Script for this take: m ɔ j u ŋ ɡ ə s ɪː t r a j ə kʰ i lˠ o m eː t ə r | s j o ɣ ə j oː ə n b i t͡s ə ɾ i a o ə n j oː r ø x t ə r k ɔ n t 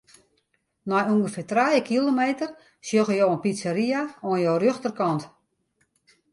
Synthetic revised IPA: n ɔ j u ŋ ɡ ə f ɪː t r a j ə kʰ i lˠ o m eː t ə r | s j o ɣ ə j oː ə n p i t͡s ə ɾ i a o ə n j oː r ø x t ə r k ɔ n t